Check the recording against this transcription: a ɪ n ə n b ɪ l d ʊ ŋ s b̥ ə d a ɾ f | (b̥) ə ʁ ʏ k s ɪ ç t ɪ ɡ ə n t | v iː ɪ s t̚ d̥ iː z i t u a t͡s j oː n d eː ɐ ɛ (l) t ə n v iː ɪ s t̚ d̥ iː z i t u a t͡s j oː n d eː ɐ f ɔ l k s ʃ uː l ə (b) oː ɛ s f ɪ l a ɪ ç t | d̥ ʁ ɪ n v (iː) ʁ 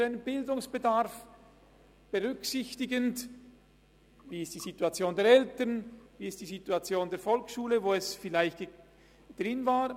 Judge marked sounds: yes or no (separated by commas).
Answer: yes, yes, no, no